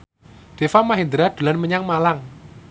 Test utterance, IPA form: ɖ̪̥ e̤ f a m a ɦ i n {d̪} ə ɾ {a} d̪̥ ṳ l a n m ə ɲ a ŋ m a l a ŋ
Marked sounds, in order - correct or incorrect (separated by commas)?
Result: correct, correct